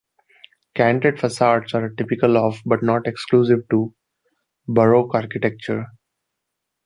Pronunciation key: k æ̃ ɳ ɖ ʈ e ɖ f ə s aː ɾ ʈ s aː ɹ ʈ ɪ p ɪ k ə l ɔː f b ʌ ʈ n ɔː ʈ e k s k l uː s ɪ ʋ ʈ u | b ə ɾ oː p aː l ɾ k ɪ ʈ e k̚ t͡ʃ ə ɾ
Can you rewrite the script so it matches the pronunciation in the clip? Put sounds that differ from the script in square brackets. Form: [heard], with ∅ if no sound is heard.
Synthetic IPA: k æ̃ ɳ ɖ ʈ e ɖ f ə s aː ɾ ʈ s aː [ɾ] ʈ ɪ p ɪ k ə l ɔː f b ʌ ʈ n ɔː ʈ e k s k l uː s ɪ ʋ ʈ u | b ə ɾ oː [k] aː [∅] ɾ k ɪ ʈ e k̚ t͡ʃ ə ɾ